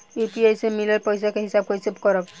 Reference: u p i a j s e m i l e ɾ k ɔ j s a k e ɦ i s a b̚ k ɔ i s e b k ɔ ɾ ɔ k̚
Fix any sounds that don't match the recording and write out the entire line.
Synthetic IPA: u p i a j s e m i l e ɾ p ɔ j s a k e ɦ i s a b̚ k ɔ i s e b k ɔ ɾ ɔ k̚